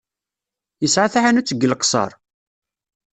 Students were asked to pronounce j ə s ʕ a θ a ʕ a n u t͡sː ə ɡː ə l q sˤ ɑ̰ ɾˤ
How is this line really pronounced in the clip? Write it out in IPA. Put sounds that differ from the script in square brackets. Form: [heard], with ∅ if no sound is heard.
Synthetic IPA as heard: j ə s ʕ a θ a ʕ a n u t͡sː ə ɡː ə l q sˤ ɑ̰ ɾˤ